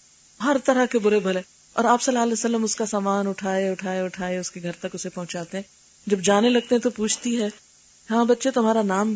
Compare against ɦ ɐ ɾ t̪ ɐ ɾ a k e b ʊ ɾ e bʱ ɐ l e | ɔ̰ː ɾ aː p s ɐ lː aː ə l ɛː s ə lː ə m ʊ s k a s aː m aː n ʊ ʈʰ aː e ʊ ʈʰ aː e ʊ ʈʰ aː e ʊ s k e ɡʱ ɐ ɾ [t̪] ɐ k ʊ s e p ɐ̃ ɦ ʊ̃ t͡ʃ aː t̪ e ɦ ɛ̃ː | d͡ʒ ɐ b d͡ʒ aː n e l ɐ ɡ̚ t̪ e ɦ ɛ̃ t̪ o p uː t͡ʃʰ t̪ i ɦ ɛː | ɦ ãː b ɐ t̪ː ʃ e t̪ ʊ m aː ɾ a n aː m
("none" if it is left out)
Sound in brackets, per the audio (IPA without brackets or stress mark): t̪